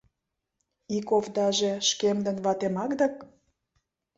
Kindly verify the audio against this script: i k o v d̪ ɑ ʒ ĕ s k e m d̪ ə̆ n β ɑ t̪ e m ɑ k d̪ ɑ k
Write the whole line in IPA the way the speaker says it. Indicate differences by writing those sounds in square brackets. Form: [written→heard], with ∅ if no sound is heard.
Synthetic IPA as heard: i k o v d̪ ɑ ʒ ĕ [s→ʃ] k e m d̪ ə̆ n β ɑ t̪ e m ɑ k d̪ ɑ k